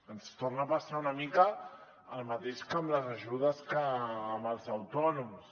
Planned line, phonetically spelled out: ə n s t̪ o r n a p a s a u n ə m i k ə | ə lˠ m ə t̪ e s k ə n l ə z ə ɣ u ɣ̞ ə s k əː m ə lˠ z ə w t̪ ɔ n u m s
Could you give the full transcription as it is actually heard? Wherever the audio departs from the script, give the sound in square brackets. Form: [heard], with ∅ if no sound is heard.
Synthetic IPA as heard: ə n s t̪ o r n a p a s a u n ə m i k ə | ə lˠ m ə t̪ e [ʃ] k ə [m] l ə z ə [ʒ] u [ð̞] ə s k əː m ə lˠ z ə w t̪ ɔ n u m s